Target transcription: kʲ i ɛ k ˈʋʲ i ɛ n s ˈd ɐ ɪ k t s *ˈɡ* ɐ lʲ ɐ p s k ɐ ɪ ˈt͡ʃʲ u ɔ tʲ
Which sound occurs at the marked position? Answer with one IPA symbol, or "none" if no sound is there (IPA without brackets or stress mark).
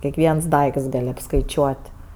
ɡ